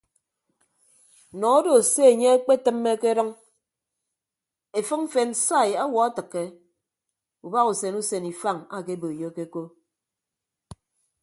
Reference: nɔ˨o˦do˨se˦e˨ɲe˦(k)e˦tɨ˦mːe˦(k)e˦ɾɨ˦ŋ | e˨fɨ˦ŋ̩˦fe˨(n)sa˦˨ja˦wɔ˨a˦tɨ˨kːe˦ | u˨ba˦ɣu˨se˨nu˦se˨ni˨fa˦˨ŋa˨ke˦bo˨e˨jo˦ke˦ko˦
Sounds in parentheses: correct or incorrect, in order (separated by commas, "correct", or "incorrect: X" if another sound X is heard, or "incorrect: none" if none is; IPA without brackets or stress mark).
incorrect: k͡p, correct, correct